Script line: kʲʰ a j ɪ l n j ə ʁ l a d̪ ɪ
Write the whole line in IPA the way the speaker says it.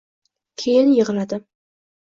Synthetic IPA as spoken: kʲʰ e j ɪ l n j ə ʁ l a d̪ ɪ